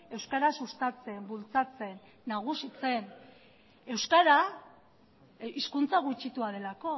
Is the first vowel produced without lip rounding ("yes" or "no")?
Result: yes